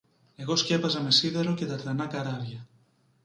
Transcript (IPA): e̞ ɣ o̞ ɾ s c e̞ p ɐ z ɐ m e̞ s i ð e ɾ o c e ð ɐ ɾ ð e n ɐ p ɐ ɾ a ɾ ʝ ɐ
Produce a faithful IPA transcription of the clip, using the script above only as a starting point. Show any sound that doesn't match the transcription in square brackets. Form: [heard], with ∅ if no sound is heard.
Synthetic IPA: e̞ ɣ o̞ [∅] s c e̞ p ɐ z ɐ m e̞ s i ð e ɾ o c e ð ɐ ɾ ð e n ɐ [k] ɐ ɾ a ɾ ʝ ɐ